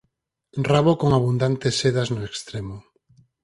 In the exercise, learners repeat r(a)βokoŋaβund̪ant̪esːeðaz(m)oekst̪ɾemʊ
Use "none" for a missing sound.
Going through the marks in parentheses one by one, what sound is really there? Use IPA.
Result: a, n

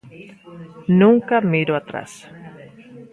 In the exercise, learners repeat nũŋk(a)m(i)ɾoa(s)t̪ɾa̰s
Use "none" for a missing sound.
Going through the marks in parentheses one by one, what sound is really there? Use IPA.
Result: a, i, none

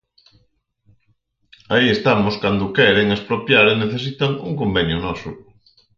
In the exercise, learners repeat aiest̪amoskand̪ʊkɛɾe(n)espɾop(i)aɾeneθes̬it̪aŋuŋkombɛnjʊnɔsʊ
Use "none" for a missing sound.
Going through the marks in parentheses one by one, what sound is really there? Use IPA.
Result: ŋ, j

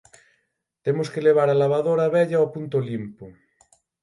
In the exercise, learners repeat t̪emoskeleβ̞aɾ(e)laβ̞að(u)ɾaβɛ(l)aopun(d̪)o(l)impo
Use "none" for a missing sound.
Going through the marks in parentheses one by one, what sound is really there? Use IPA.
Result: a, o, ʎ, t̪, l

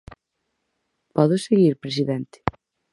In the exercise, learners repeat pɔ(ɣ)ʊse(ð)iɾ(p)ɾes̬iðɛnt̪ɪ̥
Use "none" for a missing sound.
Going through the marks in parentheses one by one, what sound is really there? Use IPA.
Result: ð, ɣ, p

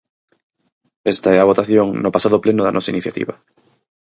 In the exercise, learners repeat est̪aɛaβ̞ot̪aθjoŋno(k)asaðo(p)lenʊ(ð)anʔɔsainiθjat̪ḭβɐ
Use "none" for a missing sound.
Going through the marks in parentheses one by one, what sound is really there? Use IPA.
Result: p, p, ð

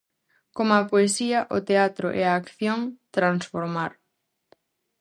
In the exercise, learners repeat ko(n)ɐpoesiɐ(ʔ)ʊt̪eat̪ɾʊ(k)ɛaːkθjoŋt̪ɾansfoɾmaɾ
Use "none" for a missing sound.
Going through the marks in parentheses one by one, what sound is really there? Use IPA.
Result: m, ʔ, ʔ

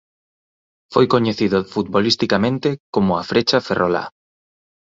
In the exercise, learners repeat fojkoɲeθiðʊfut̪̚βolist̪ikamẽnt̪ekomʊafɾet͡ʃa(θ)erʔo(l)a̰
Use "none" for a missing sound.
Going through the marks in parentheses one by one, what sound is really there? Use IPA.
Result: f, l

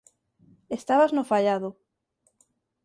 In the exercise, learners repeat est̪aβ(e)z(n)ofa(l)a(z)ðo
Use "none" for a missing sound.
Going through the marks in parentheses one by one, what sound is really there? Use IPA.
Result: a, n, ʎ, none

